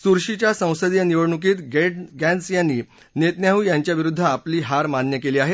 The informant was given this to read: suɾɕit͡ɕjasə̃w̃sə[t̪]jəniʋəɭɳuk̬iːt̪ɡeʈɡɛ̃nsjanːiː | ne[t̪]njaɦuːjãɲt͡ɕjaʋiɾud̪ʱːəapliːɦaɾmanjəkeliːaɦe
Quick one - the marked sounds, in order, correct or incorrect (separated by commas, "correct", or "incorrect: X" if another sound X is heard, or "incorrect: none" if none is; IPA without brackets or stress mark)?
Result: incorrect: d̪, correct